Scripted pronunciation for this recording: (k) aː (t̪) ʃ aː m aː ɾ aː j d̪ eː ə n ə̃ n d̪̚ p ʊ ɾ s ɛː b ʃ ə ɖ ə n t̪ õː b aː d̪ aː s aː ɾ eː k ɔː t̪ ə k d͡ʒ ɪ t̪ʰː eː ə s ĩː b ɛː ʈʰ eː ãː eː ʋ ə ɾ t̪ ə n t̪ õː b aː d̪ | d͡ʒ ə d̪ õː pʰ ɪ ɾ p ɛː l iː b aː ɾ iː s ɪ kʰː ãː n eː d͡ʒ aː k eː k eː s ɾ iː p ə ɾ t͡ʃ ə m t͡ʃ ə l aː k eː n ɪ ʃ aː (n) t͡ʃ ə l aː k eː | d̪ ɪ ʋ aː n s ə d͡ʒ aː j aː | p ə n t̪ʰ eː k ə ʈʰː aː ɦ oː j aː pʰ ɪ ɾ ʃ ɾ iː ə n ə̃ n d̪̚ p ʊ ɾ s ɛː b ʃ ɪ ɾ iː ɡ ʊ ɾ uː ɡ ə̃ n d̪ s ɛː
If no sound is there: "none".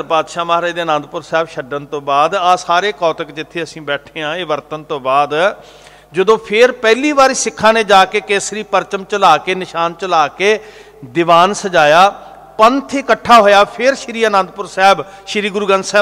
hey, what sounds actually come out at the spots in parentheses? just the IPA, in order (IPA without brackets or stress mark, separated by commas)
p, d̪, n